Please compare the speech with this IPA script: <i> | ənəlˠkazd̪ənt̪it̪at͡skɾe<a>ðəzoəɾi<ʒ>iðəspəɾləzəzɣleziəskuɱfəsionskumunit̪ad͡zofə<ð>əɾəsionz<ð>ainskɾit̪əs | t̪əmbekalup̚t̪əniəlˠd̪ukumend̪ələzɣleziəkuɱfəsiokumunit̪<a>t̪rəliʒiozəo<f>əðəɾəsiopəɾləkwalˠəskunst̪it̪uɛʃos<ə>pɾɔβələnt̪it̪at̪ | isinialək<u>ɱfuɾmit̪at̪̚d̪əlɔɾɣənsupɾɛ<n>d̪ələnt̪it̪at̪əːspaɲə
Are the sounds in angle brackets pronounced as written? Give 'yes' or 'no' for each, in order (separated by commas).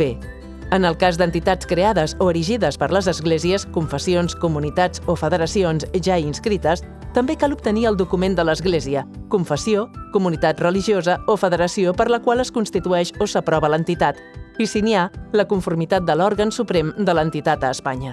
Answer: no, yes, yes, yes, no, yes, yes, yes, yes, no